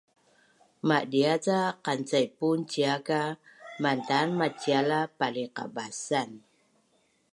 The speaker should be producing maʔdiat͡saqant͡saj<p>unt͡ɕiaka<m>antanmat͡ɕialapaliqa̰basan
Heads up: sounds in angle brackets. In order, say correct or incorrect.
correct, correct

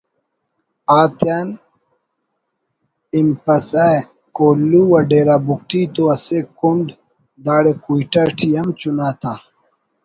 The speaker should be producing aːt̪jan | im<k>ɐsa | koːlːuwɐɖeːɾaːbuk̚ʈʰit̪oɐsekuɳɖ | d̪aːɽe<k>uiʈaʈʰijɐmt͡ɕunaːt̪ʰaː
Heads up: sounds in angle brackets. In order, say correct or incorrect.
incorrect, correct

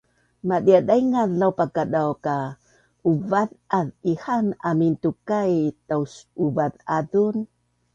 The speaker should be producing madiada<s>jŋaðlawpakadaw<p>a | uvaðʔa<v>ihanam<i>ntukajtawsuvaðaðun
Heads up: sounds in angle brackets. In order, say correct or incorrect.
incorrect, incorrect, incorrect, correct

